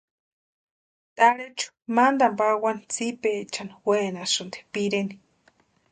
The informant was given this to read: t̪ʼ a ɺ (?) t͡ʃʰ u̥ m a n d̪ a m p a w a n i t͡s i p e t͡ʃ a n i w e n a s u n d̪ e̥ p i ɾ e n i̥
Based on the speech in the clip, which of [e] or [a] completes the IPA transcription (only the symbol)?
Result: e